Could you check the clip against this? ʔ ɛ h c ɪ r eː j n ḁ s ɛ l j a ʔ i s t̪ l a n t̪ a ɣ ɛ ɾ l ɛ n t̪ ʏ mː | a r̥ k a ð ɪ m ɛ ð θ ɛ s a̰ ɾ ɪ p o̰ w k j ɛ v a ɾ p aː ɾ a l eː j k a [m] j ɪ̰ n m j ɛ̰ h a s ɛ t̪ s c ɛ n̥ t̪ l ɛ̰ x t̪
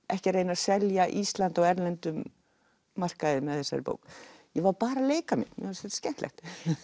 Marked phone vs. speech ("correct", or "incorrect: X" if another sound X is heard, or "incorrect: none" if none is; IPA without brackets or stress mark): correct